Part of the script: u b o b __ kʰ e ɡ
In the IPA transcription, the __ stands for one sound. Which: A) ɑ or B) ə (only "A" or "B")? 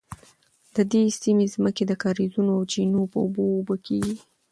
B